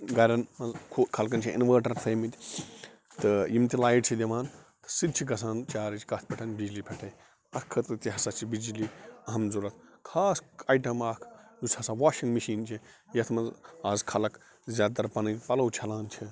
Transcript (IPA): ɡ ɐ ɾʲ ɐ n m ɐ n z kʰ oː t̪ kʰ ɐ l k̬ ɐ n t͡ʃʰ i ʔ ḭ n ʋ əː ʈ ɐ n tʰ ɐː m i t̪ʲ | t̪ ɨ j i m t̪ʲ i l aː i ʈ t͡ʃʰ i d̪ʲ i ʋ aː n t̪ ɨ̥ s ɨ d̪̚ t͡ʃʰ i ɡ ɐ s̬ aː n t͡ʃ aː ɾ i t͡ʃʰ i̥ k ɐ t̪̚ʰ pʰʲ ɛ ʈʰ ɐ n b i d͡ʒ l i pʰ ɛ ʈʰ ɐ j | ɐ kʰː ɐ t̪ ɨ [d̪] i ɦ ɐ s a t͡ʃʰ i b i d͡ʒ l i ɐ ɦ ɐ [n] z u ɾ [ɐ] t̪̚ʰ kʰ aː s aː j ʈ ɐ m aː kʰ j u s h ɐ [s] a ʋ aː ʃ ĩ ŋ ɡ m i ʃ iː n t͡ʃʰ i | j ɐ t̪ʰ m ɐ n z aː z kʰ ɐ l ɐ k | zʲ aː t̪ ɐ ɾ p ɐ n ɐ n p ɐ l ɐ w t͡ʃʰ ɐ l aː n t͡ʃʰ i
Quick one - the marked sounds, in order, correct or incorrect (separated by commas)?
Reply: incorrect, incorrect, correct, correct